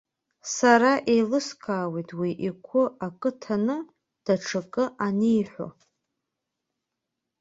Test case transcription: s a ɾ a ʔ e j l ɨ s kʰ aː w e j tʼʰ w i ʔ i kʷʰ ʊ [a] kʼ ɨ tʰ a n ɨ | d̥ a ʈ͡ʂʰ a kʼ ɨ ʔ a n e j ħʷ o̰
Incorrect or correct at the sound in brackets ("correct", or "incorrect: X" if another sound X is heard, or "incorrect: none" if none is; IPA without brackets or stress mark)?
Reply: correct